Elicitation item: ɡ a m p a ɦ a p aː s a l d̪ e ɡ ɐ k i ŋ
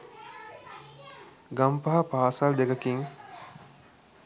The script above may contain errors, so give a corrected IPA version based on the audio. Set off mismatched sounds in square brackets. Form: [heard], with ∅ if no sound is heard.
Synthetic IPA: ɡ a m p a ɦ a p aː s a l d̪ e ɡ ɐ k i ŋ